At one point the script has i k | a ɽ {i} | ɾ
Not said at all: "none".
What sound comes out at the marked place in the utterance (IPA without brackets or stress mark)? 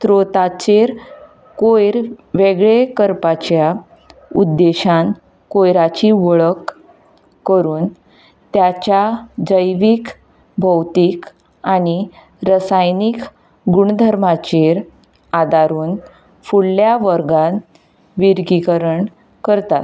i